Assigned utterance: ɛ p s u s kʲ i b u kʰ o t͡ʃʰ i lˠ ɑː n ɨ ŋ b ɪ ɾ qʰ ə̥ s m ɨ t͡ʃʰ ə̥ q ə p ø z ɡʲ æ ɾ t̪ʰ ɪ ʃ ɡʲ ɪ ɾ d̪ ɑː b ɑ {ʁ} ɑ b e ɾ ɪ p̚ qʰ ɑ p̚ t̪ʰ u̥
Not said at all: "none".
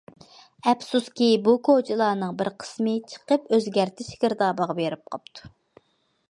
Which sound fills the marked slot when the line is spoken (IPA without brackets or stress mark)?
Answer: ʁ